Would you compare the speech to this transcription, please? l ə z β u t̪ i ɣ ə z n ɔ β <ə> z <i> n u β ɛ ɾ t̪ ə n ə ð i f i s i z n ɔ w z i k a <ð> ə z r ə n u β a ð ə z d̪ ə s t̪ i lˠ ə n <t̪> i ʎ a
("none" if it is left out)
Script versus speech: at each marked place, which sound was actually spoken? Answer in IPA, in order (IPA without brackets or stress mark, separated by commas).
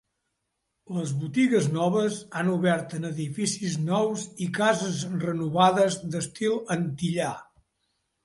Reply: ə, a, z, t̪